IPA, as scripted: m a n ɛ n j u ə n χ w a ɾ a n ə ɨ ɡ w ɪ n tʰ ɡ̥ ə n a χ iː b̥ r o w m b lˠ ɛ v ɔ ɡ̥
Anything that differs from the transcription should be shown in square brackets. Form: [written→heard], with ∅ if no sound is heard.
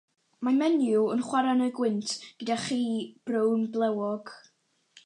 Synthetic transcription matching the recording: m a [n→m] ɛ n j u ə n χ w a ɾ a n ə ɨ ɡ w ɪ n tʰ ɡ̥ ə [n→d] a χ iː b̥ r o w [m→n] b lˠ ɛ [v→w] ɔ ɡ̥

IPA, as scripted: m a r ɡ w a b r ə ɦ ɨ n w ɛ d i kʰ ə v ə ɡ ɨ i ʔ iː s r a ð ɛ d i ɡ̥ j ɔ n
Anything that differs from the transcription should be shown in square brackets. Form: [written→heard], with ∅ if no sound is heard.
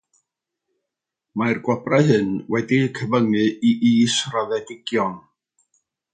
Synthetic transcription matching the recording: m a r ɡ w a b r [ə→a] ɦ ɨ n w ɛ d i kʰ ə v ə [ɡ→ŋ] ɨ i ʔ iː s r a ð ɛ d [i→ɪ] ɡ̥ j ɔ n

